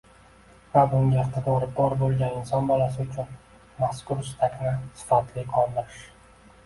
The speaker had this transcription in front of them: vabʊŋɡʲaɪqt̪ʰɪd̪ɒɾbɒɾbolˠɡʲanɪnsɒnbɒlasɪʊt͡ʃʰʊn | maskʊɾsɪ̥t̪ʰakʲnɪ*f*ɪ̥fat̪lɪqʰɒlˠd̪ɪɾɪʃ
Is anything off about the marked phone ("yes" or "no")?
yes